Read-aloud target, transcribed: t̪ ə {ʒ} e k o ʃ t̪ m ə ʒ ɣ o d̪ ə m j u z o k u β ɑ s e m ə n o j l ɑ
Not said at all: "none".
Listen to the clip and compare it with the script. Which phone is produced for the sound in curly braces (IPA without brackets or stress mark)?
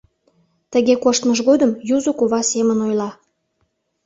ɣ